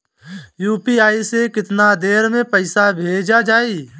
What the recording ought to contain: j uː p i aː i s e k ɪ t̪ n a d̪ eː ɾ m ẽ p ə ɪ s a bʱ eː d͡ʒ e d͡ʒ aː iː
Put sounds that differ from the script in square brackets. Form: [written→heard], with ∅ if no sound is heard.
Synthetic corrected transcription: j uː p i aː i s e k ɪ t̪ n a d̪ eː ɾ m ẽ p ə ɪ s a bʱ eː d͡ʒ [e→a] d͡ʒ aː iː

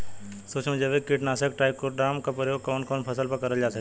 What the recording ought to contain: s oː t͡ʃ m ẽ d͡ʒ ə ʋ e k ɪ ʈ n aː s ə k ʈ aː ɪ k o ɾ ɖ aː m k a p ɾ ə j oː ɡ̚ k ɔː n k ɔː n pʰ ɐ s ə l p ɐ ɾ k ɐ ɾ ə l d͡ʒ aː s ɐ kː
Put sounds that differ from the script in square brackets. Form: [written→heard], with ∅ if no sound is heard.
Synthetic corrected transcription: s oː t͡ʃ m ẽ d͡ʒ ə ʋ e k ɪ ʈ n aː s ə k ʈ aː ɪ k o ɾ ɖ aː m k a p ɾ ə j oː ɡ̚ k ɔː n k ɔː n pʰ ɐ s ə l p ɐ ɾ k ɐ ɾ ə l d͡ʒ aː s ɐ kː

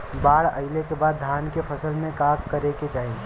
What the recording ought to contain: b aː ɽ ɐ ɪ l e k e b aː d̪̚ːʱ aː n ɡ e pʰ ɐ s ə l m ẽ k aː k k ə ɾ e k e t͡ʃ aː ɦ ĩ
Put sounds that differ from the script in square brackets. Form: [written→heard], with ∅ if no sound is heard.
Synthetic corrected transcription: b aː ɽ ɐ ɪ l e k e b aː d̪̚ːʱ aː n [ɡ→k] e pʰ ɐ s ə l m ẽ k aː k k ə ɾ e k e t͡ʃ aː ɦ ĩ

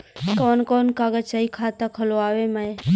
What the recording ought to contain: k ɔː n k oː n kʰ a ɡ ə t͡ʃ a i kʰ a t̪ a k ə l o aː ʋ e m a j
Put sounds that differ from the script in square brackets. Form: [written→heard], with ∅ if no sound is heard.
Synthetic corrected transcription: k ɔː n k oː n [kʰ→k] a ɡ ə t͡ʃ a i kʰ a t̪ a [k→kʰ] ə l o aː ʋ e m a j

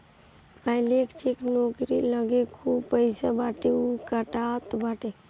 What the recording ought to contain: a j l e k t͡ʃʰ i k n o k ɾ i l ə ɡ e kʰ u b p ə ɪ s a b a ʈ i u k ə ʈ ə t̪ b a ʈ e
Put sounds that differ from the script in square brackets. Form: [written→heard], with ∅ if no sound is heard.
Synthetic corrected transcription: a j l e k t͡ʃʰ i k n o k ɾ i l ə ɡ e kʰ u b p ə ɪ s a b a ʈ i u k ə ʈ [ə→a] t̪ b a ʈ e

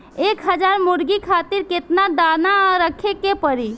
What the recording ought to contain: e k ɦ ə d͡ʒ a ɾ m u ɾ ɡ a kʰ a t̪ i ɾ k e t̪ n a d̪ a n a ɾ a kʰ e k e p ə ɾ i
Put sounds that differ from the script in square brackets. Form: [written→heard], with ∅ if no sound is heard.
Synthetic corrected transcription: e k ɦ ə d͡ʒ a ɾ m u ɾ ɡ [a→i] kʰ a t̪ i ɾ k e t̪ n a d̪ a n a ɾ [a→ə] kʰ e k e p ə ɾ i

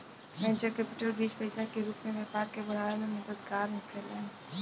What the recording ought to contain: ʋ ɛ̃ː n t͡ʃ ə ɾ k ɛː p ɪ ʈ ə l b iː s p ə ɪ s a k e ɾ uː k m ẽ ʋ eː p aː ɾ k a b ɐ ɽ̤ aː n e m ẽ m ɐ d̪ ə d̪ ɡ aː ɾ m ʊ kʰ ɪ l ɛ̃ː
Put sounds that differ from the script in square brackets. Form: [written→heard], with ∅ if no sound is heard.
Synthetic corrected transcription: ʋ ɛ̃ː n t͡ʃ ə ɾ k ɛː p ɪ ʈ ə l b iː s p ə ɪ s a k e ɾ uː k m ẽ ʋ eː p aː ɾ k [a→e] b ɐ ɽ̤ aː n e m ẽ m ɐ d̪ ə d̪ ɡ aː ɾ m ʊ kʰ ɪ l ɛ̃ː

